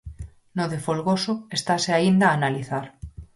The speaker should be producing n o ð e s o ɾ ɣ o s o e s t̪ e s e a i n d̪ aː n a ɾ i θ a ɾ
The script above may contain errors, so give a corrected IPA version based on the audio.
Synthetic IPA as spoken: n o ð e f o l ɣ o s o e s t̪ a s e a i n d̪ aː n a l i θ a ɾ